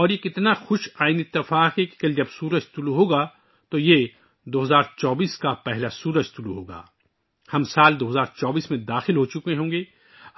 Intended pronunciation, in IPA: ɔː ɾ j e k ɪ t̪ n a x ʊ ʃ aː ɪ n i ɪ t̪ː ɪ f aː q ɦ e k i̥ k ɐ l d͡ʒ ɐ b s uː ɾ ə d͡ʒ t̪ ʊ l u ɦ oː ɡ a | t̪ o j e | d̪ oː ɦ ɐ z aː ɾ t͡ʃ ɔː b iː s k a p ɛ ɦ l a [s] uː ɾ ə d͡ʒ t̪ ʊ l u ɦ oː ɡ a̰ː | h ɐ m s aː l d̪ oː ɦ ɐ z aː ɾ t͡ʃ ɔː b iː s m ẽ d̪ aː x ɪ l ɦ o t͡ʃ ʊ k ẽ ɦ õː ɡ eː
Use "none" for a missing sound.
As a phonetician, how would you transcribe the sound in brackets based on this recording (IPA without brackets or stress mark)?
s